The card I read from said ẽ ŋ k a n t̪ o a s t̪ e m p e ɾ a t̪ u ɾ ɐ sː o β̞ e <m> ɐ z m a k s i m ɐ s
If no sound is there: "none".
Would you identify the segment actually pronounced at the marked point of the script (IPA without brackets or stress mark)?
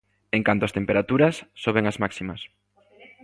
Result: ŋ